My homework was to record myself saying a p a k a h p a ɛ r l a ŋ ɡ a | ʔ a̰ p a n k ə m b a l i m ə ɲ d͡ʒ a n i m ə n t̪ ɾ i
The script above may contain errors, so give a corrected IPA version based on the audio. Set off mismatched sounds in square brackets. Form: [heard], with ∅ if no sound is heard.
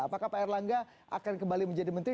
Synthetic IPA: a p a k a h p a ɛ r l a ŋ ɡ a | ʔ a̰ [k] a n k ə m b a l i m ə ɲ d͡ʒ a [d] i m ə n t̪ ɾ i